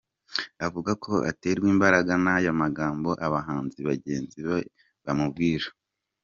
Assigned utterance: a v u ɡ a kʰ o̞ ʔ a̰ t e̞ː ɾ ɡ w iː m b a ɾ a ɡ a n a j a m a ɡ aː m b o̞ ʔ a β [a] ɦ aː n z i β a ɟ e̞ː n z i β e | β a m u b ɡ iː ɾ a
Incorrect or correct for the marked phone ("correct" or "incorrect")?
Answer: correct